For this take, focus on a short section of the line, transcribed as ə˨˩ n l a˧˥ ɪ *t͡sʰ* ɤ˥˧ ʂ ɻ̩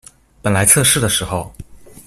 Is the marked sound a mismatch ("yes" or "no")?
no